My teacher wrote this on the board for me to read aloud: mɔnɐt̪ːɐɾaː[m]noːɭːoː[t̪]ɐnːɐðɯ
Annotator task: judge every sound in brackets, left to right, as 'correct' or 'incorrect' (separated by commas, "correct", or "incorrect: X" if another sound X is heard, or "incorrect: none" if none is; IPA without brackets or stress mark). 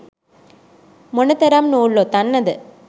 correct, correct